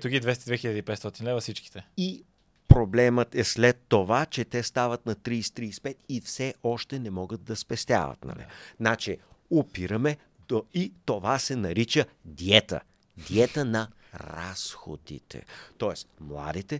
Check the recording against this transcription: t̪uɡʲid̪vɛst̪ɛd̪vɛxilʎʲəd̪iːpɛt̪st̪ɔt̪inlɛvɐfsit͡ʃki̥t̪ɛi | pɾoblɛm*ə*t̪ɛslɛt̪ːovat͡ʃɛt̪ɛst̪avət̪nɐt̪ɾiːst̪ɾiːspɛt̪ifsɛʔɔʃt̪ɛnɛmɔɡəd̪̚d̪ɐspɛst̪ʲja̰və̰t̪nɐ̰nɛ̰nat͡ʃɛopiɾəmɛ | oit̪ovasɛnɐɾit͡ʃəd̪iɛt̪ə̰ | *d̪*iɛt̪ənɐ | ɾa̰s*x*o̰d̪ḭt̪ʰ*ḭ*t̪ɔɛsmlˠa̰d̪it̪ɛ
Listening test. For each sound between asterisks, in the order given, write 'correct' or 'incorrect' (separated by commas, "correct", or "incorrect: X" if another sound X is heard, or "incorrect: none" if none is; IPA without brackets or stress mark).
correct, correct, correct, incorrect: ɛ̰